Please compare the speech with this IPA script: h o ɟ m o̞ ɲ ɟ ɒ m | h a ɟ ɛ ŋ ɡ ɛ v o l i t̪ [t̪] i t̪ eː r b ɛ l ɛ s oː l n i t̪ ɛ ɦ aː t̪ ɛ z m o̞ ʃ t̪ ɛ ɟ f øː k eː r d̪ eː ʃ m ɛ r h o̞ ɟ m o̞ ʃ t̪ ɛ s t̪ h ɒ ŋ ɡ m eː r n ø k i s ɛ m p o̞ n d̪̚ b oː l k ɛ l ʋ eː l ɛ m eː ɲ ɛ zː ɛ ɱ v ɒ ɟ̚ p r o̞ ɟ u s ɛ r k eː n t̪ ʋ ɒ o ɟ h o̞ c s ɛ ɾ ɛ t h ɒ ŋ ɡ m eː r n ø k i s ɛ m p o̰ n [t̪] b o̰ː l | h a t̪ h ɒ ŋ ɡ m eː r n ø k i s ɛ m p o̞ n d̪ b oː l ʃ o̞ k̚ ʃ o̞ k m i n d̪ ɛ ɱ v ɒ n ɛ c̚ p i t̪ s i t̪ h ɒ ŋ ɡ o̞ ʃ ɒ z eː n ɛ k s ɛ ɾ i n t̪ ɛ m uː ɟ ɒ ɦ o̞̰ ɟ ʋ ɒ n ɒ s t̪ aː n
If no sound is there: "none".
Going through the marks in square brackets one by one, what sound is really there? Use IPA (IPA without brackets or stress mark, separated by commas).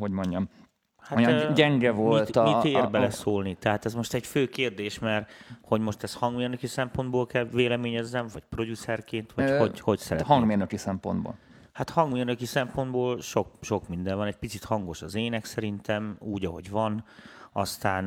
t̪, d̪